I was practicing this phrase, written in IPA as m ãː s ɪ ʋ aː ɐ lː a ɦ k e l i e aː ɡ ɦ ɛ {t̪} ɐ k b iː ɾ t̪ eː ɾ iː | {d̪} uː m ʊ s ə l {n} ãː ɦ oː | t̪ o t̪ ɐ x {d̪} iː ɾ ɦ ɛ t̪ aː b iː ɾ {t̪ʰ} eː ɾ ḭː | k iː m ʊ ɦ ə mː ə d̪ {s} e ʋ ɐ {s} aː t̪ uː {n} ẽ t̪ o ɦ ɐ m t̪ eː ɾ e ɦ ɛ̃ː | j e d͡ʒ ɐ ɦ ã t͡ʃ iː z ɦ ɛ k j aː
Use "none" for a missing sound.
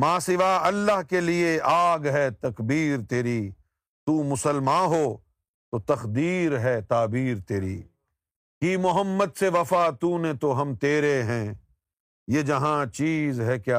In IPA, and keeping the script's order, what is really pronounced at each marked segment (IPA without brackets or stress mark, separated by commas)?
t̪, t̪, m, d̪, t̪, s, f, n